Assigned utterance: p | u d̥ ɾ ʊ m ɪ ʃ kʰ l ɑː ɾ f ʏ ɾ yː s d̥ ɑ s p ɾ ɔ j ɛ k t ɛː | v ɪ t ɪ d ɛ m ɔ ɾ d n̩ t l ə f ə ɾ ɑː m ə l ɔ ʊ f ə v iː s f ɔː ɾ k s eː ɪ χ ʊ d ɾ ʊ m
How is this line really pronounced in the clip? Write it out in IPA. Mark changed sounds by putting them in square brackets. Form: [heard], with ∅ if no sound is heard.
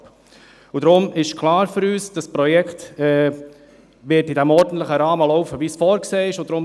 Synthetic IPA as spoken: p | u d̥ ɾ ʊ m ɪ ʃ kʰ l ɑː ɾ f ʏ ɾ yː s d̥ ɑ s p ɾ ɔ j ɛ k t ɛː | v ɪ t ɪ d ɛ m ɔ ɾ d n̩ t l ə [χ] ə ɾ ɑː m ə l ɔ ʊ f ə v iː s f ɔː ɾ k s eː ɪ [ʃ] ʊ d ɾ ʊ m